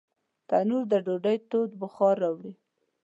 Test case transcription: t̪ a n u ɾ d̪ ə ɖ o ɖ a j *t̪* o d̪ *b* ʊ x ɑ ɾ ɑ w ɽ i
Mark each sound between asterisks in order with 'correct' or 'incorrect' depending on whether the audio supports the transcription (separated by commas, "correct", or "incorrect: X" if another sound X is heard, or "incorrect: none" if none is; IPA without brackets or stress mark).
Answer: correct, correct